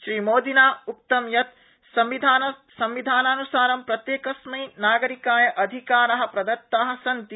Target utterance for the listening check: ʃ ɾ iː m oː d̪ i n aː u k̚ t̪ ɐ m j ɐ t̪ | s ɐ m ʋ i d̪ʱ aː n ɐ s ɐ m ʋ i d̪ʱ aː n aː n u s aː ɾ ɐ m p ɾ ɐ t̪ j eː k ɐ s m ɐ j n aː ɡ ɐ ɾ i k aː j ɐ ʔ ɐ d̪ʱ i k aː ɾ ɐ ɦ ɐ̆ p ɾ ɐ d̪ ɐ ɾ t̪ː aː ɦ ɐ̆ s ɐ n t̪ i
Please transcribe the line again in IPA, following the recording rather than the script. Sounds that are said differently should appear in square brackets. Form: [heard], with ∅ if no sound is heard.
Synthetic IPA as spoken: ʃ ɾ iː m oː d̪ i n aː u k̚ t̪ ɐ m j ɐ t̪ | s ɐ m ʋ i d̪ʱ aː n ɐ s ɐ m ʋ i d̪ʱ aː n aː n u s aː ɾ ɐ m p ɾ ɐ t̪ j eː k ɐ s m ɐ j n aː ɡ ɐ ɾ i k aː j ɐ ʔ ɐ d̪ʱ i k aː ɾ ɐ ɦ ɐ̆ p ɾ ɐ d̪ ɐ ɾ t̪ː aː ɦ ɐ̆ s ɐ n t̪ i

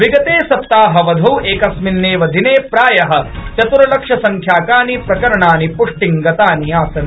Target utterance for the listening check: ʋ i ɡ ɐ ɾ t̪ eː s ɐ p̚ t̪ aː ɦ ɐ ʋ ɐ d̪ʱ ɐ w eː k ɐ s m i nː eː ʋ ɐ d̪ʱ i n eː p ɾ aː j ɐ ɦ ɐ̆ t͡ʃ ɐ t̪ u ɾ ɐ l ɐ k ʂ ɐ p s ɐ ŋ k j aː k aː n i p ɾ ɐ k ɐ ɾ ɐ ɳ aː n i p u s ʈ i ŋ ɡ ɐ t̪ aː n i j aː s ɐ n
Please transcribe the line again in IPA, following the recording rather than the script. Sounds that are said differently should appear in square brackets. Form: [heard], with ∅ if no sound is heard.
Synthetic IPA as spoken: ʋ i ɡ ɐ [∅] t̪ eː s ɐ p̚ t̪ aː ɦ ɐ ʋ ɐ d̪ʱ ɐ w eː k ɐ s m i nː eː ʋ ɐ d̪ʱ i n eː p ɾ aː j ɐ ɦ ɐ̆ t͡ʃ ɐ t̪ u ɾ ɐ l ɐ k ʂ ɐ [∅] s ɐ ŋ [kʰ] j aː k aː n i p ɾ ɐ k ɐ ɾ ɐ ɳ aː n i p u [ʂ] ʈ i ŋ ɡ ɐ t̪ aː n i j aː s ɐ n

